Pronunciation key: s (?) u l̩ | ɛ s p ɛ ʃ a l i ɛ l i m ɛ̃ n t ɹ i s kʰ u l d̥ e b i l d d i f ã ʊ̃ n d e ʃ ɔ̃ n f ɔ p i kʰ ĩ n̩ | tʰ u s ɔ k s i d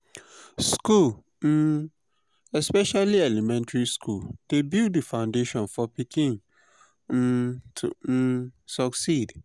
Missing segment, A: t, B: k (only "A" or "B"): B